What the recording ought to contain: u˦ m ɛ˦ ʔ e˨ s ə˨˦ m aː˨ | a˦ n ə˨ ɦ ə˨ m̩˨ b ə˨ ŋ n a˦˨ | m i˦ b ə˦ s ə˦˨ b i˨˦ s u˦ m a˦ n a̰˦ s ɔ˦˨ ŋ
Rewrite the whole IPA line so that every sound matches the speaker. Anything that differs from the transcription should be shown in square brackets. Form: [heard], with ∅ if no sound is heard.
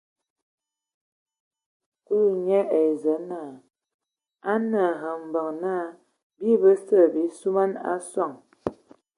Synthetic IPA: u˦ [ɲ] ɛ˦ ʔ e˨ [z] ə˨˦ [n] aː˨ | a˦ n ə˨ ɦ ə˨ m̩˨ b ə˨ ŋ n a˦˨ | [b] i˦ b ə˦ s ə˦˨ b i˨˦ s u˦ m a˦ n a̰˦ s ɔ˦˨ ŋ

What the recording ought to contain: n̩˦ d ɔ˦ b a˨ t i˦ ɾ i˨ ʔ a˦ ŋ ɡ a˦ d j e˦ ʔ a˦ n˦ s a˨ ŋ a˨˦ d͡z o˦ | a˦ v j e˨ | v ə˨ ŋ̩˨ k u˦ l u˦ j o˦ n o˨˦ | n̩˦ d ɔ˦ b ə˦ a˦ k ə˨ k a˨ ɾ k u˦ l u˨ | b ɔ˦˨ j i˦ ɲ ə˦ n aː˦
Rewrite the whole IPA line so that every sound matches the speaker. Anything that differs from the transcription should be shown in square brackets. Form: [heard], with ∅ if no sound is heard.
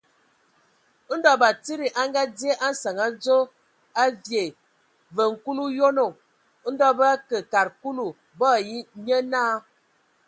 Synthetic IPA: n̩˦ d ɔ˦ b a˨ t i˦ ɾ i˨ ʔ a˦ ŋ ɡ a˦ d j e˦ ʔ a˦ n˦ s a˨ ŋ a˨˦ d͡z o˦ | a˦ v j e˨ | v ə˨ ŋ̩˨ k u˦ l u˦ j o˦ n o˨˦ | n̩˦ d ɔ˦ b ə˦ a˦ k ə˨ k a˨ ɾ k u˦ l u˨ | b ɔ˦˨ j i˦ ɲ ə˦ n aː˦

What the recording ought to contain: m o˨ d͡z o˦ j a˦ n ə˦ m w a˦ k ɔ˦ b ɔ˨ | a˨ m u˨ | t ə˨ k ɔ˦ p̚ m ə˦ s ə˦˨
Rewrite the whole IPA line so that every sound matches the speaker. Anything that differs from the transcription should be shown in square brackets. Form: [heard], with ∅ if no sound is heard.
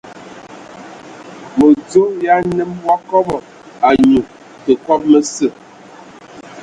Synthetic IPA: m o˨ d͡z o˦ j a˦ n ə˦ m w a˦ k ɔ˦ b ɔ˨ | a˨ [ɲ] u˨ | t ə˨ k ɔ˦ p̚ m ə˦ s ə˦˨

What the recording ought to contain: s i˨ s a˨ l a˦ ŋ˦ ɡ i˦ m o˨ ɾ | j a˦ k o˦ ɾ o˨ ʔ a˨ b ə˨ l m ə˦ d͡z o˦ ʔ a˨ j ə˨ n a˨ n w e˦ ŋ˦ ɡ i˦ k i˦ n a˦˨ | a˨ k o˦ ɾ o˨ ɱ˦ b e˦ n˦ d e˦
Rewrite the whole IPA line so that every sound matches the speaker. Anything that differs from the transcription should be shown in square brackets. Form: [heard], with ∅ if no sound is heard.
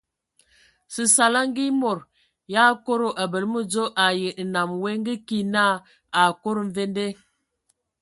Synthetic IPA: s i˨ s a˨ l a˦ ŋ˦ ɡ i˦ m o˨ ɾ | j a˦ k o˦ ɾ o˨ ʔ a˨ b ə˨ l m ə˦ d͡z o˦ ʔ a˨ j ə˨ n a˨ [m] w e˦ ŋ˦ ɡ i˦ k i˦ n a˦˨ | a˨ k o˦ ɾ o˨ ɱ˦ [v] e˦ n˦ d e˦

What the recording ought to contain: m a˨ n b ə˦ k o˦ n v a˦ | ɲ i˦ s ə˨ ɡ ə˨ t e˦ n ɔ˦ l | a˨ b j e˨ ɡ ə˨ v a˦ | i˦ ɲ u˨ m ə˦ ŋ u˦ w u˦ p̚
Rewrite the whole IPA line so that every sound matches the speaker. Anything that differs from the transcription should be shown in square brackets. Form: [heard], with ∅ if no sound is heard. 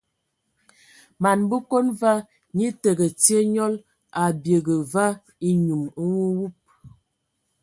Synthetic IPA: m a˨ n b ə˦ k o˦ n v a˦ | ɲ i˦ [t] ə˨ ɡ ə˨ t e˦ [ɲ] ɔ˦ l | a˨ b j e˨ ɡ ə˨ v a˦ | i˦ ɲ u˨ m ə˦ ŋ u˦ w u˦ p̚

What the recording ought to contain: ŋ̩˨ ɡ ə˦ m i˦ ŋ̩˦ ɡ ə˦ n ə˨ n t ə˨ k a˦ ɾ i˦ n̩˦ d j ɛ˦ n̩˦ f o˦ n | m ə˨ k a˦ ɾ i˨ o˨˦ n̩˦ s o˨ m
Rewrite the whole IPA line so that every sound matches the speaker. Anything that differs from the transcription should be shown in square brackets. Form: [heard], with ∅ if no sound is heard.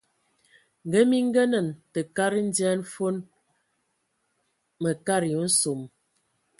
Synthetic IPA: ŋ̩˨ ɡ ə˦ m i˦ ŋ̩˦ ɡ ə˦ n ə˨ n t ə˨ k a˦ ɾ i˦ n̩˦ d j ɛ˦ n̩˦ f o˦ n | m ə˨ k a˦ ɾ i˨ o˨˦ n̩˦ s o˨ m

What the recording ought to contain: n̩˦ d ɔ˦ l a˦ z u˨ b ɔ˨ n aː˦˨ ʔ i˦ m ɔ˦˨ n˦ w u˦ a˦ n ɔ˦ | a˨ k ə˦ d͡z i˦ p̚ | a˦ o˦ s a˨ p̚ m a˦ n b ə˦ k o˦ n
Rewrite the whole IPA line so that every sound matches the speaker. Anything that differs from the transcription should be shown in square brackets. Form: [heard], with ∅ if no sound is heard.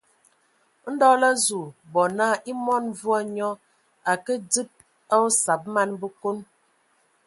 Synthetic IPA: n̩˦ d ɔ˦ l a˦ z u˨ b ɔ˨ n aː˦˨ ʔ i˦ m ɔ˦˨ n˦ [v] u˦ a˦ [ɲ] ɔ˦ | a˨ k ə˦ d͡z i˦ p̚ | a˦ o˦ s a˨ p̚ m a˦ n b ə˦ k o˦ n

